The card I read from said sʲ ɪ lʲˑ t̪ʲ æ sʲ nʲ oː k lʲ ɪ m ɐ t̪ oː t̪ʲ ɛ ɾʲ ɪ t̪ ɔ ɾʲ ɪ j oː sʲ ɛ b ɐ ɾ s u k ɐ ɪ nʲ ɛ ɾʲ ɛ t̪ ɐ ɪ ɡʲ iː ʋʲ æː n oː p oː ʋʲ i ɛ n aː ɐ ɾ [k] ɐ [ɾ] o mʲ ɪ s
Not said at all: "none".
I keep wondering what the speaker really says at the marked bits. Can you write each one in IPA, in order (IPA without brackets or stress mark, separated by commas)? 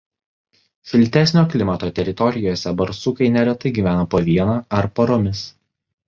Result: p, ɾ